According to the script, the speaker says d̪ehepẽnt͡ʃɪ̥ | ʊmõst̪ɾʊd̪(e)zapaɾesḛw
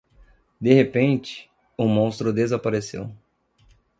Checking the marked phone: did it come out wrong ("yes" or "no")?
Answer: no